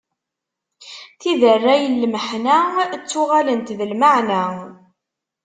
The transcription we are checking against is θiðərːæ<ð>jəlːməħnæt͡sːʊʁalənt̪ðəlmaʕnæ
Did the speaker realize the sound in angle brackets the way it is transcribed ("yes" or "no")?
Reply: no